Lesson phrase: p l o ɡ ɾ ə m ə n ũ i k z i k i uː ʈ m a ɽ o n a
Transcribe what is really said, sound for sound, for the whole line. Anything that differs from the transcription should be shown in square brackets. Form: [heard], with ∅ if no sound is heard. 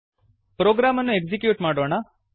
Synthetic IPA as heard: p [ɾ] o ɡ ɾ [a] m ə n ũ [e] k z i k [j] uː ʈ m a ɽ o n a